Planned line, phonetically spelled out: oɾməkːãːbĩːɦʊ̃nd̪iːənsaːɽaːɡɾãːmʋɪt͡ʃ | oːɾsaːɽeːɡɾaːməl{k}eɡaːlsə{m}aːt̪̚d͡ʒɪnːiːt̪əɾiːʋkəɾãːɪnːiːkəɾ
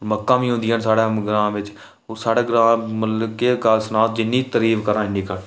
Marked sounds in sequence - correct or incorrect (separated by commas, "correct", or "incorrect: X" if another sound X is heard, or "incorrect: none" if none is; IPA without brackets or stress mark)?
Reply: correct, incorrect: n